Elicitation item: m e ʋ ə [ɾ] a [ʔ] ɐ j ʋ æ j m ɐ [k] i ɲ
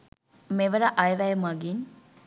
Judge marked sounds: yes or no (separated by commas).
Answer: yes, yes, no